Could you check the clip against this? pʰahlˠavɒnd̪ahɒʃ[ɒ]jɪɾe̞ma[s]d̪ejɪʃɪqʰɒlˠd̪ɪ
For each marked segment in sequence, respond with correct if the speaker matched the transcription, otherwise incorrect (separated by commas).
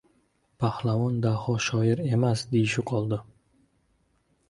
correct, correct